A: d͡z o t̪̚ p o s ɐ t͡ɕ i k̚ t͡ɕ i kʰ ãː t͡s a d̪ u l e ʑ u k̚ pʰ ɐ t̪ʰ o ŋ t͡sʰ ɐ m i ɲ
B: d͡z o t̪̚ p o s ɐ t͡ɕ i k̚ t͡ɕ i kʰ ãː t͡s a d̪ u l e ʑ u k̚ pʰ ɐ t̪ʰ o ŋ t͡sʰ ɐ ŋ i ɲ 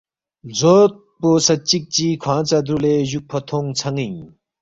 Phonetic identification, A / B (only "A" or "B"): B